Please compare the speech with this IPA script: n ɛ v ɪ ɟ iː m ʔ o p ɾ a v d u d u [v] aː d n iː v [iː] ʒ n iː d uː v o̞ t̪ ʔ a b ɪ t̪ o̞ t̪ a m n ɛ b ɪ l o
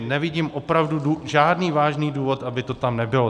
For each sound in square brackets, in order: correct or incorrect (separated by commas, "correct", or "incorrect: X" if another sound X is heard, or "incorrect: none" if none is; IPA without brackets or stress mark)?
incorrect: ʒ, incorrect: aː